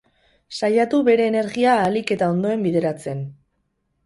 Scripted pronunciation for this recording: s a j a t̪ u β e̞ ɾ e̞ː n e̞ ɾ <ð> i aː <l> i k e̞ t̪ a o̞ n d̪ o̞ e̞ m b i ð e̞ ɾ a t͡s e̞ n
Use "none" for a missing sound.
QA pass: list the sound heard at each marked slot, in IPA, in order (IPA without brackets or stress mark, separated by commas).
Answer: ɣ, l